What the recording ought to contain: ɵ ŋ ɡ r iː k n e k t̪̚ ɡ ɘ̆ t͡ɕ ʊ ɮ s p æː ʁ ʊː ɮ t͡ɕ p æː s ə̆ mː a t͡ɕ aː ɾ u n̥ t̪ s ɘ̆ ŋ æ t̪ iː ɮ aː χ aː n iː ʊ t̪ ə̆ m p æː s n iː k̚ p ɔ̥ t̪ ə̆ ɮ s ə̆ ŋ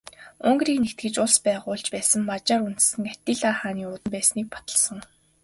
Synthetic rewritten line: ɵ ŋ ɡ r iː k n e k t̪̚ ɡ ɘ̆ t͡ɕ ʊ ɮ s p æː ʁ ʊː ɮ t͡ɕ p æː s ə̆ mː a t͡ɕ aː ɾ u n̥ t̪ s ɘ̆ ŋ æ t̪ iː ɮ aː χ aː n iː ʊ t̪ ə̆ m p æː s n iː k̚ p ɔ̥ t̪ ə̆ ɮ s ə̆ ŋ